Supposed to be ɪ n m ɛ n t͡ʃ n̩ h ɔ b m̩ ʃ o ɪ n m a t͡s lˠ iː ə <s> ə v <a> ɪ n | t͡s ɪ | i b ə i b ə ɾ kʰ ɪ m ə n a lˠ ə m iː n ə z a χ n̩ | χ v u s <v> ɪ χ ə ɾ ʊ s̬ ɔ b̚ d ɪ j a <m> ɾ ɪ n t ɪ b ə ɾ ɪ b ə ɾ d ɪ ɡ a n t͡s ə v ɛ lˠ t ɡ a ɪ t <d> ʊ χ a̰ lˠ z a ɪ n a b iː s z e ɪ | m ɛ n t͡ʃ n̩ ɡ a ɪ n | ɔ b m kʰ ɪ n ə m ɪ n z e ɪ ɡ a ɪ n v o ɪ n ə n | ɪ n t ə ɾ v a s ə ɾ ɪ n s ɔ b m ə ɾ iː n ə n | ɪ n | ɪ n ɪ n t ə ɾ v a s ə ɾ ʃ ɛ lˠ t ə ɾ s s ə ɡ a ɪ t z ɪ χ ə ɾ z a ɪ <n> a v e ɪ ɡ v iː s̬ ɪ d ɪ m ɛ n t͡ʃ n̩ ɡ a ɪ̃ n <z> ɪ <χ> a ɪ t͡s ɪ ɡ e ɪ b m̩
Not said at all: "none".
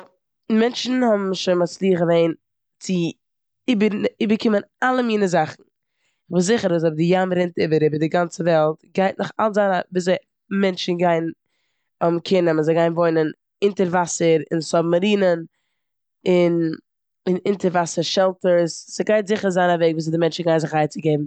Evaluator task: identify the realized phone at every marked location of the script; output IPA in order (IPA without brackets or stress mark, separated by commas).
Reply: χ, e, z, m, n, n, z, χ